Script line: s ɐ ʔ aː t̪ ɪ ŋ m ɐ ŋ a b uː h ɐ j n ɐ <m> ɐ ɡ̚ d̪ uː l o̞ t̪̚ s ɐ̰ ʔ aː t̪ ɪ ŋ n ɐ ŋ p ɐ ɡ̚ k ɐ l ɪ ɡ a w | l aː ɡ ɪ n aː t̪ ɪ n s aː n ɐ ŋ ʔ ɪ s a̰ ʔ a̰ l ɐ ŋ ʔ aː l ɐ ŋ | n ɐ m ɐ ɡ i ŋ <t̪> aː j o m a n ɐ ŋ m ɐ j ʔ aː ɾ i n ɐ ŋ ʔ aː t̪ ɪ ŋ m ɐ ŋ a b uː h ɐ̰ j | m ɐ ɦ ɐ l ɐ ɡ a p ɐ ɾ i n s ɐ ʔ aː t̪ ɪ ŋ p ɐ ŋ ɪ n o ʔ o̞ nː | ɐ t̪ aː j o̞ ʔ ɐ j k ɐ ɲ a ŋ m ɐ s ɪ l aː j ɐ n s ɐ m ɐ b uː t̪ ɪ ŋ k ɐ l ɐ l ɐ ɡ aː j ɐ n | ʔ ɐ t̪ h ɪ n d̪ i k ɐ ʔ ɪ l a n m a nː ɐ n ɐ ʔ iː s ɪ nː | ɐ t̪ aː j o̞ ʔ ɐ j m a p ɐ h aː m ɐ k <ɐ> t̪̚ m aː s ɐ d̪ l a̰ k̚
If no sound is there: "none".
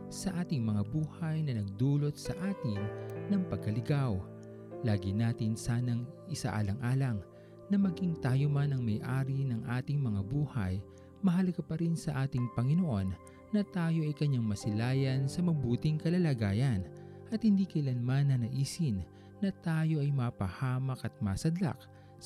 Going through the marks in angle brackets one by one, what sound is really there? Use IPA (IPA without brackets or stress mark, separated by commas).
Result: n, t̪, ɐ